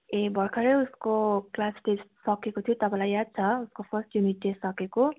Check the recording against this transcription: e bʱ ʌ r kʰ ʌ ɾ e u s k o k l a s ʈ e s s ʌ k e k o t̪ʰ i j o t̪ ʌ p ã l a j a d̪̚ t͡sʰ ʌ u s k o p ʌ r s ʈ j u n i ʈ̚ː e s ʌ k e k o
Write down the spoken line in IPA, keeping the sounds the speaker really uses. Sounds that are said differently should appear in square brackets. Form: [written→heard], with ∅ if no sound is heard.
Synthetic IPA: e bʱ ʌ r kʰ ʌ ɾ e u s k o k l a s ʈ e s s ʌ k e k o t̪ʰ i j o t̪ ʌ p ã l a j a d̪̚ t͡sʰ ʌ u s k o [p→pʰ] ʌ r s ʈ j u n i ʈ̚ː e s ʌ k e k o